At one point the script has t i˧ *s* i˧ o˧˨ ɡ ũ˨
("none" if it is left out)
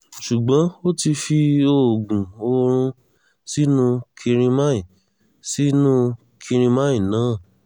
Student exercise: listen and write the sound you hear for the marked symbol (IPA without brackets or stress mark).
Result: f